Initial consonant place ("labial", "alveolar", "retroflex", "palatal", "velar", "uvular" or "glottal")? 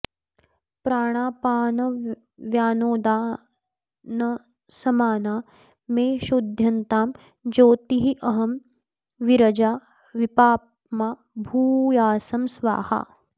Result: labial